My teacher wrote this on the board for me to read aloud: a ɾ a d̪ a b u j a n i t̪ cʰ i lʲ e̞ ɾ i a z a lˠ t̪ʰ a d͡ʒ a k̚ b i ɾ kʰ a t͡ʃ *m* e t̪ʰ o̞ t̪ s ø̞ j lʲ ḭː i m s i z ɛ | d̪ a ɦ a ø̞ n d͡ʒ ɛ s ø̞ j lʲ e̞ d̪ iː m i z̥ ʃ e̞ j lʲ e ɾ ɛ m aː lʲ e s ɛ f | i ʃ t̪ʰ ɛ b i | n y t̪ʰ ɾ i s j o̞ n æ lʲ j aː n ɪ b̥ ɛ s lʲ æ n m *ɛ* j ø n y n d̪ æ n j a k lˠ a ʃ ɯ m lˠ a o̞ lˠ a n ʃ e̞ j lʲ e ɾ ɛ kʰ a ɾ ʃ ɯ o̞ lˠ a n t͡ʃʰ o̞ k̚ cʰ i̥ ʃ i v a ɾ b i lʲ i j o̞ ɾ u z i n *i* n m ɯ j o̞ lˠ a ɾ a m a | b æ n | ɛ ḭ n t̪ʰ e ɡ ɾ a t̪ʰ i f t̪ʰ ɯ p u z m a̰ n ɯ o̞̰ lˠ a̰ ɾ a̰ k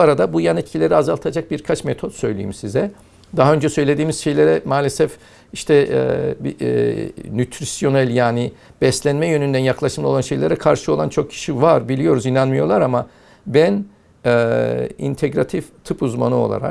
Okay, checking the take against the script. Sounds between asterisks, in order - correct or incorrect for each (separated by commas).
correct, correct, incorrect